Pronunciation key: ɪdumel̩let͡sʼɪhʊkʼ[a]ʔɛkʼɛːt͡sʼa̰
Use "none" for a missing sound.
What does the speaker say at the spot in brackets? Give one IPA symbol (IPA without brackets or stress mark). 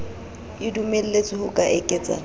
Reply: a